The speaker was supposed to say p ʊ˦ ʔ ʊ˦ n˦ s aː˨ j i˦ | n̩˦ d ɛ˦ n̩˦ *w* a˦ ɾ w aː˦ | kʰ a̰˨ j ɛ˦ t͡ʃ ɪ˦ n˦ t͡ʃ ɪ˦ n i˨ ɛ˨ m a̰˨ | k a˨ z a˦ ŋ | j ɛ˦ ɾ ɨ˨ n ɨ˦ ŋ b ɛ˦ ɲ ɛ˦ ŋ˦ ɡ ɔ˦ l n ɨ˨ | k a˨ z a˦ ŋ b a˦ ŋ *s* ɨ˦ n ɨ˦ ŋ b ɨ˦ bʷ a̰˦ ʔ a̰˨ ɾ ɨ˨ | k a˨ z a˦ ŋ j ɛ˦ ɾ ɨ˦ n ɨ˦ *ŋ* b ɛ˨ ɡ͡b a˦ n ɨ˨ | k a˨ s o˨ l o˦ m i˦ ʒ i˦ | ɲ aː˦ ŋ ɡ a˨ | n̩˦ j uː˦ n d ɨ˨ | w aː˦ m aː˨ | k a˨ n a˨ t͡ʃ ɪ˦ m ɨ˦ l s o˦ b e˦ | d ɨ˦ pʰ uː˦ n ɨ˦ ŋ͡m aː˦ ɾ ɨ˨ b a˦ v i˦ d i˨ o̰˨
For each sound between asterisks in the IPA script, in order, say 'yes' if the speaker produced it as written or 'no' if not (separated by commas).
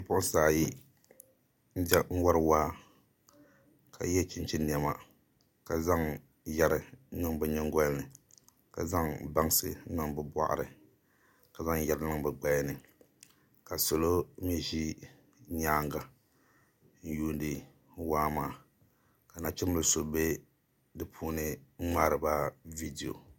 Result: yes, yes, yes